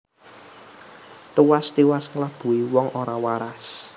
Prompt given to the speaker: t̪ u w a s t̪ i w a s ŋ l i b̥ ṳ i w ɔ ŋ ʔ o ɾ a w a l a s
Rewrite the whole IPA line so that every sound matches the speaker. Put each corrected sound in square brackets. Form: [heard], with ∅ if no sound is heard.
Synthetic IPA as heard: t̪ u w a s t̪ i w a s ŋ l [a] b̥ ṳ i w ɔ ŋ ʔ o ɾ a w a [ɾ] a s

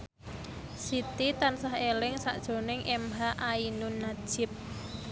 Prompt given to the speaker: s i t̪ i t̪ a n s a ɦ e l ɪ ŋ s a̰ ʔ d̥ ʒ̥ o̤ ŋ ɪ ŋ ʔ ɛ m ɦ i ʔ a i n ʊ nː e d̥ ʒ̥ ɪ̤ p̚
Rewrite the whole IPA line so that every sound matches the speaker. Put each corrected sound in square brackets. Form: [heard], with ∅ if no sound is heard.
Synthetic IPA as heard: s i t̪ i t̪ a n s a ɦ e l ɪ ŋ s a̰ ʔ d̥ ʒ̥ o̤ [n] ɪ ŋ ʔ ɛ m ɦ [a] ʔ a i n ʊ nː [a] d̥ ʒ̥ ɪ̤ p̚

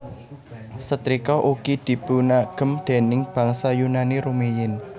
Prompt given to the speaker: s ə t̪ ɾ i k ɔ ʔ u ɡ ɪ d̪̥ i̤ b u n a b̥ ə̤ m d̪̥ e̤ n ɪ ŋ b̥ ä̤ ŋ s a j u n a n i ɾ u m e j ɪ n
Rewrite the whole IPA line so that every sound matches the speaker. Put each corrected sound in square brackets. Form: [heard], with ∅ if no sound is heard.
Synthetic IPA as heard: s ə t̪ ɾ i k ɔ ʔ u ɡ [i] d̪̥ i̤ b u n a [ɡ̥] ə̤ m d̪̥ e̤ n ɪ ŋ b̥ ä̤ ŋ s a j u n a n i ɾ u m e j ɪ n

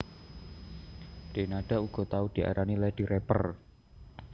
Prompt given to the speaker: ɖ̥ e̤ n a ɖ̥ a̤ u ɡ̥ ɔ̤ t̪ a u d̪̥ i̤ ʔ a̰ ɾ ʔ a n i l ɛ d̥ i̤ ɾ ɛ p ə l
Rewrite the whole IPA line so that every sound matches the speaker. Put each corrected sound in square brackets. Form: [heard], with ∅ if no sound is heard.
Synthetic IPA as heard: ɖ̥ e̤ n a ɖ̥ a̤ u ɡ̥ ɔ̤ t̪ a u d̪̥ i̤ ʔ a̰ ɾ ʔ a n i l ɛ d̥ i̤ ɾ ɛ p ə [r]

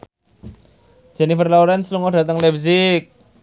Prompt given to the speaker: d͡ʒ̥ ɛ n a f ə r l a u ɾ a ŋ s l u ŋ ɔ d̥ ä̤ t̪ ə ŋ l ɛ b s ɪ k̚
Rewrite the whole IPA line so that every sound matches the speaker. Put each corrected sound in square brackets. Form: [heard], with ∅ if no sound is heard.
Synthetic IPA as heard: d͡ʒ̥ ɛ n [i] f ə r l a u ɾ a [n] s l u ŋ ɔ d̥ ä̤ t̪ ə ŋ l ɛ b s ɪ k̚

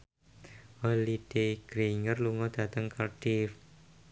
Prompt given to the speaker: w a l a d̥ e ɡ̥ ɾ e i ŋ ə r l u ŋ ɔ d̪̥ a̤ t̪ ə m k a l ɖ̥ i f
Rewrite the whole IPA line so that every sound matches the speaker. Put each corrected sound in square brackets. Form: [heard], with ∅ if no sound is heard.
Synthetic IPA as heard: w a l [i] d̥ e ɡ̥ ɾ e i ŋ ə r l u ŋ ɔ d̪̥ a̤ t̪ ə [ŋ] k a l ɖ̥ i f

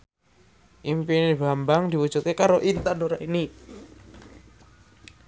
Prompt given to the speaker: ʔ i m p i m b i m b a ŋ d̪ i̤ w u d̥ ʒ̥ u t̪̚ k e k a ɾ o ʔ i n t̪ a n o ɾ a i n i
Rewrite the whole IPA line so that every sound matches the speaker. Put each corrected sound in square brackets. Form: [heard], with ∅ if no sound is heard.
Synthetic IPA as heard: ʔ i m p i [n] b [a] m b a ŋ d̪ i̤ w u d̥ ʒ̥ u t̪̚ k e k a ɾ o ʔ i n t̪ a n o ɾ a i n i

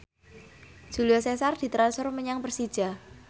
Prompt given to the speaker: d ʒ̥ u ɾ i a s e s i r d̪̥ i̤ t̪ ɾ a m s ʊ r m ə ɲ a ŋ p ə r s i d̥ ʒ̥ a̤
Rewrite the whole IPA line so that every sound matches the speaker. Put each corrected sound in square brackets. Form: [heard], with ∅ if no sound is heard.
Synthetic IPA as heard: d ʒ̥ u [l] i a s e s [a] r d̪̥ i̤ t̪ ɾ a [n] s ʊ r m ə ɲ a ŋ p ə r s i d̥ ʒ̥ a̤

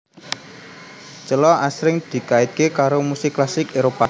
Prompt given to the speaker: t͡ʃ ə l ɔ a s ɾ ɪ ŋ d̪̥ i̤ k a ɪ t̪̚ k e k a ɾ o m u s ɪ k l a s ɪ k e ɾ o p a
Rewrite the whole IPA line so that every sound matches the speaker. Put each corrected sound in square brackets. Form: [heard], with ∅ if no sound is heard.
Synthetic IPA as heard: t͡ʃ ə l ɔ a s ɾ ɪ ŋ d̪̥ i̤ k a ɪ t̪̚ k e k a ɾ o m u s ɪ k l a s ɪ k e ɾ o p a

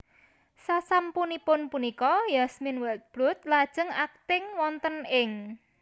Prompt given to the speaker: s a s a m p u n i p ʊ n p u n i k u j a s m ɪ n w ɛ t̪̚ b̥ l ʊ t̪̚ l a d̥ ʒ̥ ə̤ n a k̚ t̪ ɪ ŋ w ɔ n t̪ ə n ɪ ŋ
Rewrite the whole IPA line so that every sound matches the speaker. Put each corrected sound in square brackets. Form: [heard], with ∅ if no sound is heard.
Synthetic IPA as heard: s a s a m p u n i p ʊ n p u n i k [ɔ] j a s m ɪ n w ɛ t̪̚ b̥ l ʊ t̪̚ l a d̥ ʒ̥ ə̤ [ŋ] a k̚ t̪ ɪ ŋ w ɔ n t̪ ə n ɪ ŋ

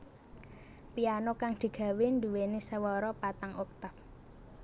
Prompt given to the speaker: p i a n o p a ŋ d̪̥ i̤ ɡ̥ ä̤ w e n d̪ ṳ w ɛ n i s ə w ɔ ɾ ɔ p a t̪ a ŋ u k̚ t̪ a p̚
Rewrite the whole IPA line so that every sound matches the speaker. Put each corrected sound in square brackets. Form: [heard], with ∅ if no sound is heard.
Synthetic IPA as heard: p i a n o [k] a ŋ d̪̥ i̤ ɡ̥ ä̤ w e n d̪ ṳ w [e] n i s ə w ɔ ɾ ɔ p a t̪ a ŋ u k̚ t̪ a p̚

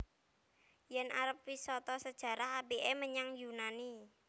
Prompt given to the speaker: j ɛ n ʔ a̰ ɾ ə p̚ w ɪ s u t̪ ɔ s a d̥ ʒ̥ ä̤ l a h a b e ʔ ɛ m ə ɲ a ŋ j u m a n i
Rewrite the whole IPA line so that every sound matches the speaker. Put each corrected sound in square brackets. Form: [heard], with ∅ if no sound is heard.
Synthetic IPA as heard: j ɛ n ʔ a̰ ɾ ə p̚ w [i] s [ɔ] t̪ ɔ s [ə] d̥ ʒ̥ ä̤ [ɾ] a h a b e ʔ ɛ m ə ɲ a ŋ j u [n] a n i

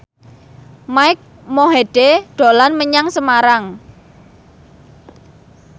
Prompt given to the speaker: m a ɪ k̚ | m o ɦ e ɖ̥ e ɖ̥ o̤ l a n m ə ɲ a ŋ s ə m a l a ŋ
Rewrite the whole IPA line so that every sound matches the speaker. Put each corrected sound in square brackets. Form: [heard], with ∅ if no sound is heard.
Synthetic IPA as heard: m a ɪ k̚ | m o ɦ e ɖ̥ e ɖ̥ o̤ l a n m ə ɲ a ŋ s ə m a [ɾ] a ŋ

